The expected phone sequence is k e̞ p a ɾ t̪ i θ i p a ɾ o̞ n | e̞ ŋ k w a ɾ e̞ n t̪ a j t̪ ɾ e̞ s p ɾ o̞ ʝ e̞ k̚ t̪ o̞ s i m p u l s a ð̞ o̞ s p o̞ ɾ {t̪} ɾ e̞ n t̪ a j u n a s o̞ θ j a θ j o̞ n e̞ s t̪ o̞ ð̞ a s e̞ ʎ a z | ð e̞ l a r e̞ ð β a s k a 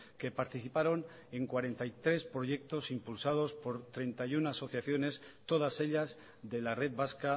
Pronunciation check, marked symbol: correct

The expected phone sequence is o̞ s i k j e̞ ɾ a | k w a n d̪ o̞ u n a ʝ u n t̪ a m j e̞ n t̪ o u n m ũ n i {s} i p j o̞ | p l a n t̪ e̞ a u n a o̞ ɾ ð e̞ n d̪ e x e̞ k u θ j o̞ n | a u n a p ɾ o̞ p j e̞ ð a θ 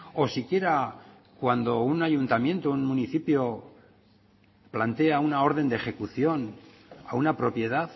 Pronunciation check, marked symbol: incorrect: θ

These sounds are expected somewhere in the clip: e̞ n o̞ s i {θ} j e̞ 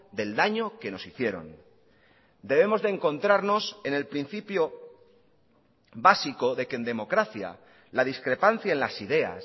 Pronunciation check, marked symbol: correct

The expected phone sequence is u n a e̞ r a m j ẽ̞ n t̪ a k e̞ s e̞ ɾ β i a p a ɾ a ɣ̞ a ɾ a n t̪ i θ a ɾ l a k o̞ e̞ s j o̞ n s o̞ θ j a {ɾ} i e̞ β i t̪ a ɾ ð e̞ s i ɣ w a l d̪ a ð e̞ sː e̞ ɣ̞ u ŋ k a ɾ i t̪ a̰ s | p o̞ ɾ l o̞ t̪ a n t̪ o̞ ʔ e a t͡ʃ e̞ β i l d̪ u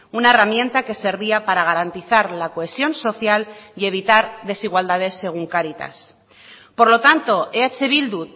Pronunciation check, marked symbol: incorrect: l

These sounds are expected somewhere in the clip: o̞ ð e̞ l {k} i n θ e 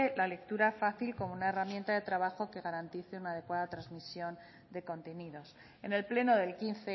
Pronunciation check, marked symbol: correct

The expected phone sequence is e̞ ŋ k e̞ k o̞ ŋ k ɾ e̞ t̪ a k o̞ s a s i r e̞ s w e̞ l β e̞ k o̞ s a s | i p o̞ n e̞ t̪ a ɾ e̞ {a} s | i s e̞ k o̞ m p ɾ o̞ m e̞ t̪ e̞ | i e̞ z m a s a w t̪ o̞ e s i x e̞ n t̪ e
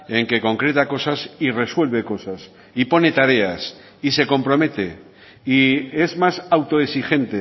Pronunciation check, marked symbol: correct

